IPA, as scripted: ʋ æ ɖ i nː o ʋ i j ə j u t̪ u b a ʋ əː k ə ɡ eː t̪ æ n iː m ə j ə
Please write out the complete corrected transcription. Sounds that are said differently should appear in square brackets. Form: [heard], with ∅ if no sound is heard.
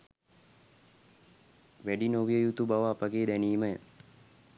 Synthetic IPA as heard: ʋ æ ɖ i [n] o ʋ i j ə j u t̪ u b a ʋ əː [p] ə ɡ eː [d̪] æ n iː m ə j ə